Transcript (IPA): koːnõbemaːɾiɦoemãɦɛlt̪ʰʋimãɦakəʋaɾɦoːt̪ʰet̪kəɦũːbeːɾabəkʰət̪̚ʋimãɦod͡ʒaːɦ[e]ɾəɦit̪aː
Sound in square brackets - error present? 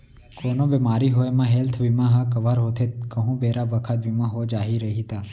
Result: yes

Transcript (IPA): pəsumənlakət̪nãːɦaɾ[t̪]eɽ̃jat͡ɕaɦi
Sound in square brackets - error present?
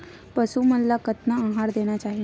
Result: yes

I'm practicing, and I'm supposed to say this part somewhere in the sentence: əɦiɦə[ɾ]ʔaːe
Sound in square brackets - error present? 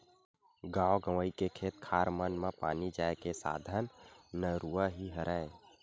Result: no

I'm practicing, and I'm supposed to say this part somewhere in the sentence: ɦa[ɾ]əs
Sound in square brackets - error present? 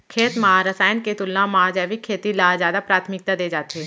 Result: no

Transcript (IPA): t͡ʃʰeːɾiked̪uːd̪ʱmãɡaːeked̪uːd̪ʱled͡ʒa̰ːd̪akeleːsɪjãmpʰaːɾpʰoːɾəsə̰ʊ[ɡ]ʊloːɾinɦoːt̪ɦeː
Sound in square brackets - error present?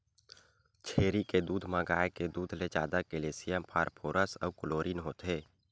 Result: yes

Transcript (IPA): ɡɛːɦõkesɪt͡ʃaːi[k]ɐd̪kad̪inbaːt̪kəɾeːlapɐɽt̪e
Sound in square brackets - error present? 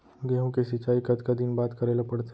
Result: no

